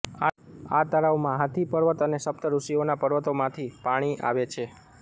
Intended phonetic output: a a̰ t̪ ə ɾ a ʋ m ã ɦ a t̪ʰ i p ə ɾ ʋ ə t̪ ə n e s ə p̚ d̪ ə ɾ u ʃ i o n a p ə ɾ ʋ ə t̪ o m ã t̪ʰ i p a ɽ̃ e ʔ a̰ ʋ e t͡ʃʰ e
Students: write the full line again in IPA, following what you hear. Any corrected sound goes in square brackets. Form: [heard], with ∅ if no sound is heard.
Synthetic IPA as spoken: a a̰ t̪ ə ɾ a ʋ m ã ɦ a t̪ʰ i p ə ɾ ʋ ə t̪ ə n e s ə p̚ [t̪] ə ɾ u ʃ i o n a p ə ɾ ʋ ə t̪ o m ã t̪ʰ i p a ɽ̃ [i] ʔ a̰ ʋ e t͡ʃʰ e